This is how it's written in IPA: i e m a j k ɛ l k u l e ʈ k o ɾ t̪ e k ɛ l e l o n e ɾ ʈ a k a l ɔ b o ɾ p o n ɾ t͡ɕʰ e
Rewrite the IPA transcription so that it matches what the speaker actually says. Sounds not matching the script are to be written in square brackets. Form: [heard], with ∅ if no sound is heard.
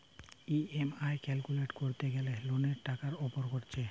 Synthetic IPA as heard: i e m a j k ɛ l k u l e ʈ k o ɾ t̪ e [ɡ] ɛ l e l o n e ɾ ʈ a k a [ɾ] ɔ [p] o ɾ [k] o [∅] ɾ t͡ɕʰ e